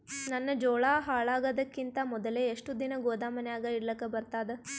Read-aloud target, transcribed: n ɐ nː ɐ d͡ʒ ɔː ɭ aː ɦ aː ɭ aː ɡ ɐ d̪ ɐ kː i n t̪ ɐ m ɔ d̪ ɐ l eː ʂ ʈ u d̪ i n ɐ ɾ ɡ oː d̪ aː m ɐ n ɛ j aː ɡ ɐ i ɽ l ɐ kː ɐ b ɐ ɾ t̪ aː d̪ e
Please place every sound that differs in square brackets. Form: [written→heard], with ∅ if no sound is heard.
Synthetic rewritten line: n ɐ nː ɐ d͡ʒ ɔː ɭ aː ɦ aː ɭ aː ɡ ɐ d̪ ɐ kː i n t̪ ɐ m ɔ d̪ ɐ l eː ʂ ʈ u d̪ i n ɐ [ɾ→∅] ɡ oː d̪ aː m ɐ n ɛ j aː ɡ ɐ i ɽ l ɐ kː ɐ b ɐ ɾ t̪ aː d̪ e